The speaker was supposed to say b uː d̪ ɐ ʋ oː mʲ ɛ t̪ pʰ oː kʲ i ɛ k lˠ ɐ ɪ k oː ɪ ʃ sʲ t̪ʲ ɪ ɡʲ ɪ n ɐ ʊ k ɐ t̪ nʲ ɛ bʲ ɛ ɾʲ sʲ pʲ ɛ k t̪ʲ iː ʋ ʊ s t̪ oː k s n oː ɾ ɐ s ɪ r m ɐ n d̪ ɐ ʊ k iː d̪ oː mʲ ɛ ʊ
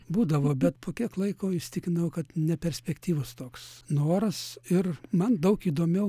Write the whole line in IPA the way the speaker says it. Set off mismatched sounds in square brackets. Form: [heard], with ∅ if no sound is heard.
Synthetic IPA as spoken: b uː d̪ ɐ ʋ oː [bʲ] ɛ t̪ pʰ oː kʲ i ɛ k lˠ ɐ ɪ k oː ɪ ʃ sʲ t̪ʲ ɪ [kʲ] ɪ n ɐ ʊ k ɐ t̪ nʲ ɛ [pʲ] ɛ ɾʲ sʲ pʲ ɛ k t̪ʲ iː ʋ ʊ s t̪ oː k s n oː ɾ ɐ s ɪ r m ɐ n d̪ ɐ ʊ k iː d̪ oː mʲ ɛ ʊ